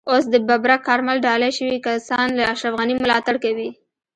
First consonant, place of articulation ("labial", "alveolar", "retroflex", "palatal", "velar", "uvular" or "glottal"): alveolar